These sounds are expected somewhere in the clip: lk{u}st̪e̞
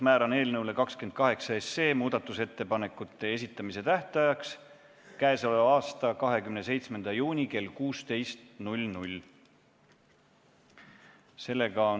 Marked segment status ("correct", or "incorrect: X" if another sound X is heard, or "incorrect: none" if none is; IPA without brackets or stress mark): incorrect: uː